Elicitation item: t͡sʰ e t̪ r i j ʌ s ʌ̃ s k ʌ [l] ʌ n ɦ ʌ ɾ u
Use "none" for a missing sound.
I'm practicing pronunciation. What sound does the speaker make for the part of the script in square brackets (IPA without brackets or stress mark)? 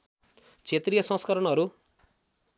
ɾ